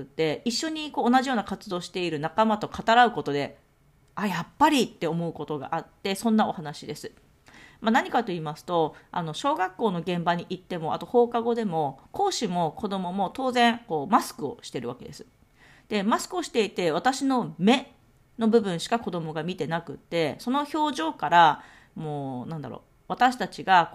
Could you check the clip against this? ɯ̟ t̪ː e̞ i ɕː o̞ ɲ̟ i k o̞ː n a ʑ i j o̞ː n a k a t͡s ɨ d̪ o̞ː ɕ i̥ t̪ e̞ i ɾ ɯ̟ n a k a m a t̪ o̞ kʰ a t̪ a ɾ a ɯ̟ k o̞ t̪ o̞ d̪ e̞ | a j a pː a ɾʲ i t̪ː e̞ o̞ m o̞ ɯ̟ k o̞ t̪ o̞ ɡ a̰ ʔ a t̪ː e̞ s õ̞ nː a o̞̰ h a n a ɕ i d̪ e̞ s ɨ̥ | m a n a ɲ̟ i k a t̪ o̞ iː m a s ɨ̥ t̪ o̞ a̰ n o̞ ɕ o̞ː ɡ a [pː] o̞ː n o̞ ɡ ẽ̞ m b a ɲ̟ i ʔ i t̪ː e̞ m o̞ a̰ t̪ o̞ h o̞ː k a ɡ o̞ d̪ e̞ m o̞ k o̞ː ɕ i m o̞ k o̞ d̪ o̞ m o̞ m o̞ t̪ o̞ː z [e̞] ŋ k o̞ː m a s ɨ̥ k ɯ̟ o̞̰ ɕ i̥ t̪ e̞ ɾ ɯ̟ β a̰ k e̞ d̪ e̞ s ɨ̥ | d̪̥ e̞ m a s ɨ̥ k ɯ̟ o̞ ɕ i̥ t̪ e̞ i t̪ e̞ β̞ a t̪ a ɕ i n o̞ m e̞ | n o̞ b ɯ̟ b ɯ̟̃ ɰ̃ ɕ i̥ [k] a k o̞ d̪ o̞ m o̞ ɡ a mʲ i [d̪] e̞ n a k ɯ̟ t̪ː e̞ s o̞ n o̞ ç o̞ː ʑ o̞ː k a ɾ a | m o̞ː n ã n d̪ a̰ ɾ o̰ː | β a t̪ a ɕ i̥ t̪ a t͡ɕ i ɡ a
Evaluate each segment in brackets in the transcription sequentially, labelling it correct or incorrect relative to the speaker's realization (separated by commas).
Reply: incorrect, incorrect, correct, incorrect